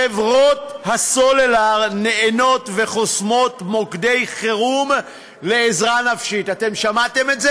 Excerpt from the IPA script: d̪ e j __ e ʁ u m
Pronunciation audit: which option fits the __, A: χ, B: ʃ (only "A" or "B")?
A